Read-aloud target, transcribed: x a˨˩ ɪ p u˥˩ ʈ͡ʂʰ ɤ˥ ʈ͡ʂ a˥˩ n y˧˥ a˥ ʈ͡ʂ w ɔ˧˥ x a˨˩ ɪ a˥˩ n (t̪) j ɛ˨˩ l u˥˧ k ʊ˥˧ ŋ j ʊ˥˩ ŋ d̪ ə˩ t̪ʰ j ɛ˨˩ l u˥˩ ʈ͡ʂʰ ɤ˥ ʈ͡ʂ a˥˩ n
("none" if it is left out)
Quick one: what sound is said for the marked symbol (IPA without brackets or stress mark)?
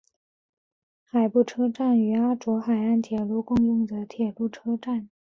t̪ʰ